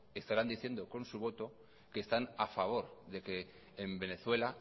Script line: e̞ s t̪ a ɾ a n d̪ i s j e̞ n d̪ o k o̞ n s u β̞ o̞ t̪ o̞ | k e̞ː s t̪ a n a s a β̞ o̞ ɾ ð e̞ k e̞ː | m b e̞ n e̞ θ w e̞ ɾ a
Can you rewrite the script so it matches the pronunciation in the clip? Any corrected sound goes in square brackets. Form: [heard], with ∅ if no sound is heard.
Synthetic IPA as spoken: e̞ s t̪ a ɾ a n d̪ i [θ] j e̞ n d̪ o k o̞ n s u β̞ o̞ t̪ o̞ | k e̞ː s t̪ a n a [f] a β̞ o̞ ɾ ð e̞ k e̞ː | m b e̞ n e̞ θ w e̞ [l] a